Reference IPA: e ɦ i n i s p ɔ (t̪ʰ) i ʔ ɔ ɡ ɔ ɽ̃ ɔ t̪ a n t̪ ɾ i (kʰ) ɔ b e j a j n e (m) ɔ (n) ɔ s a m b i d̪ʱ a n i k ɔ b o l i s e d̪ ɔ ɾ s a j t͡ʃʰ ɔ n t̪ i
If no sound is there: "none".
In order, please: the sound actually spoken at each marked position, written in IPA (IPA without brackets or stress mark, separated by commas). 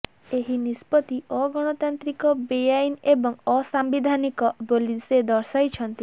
t̪, k, b, ŋ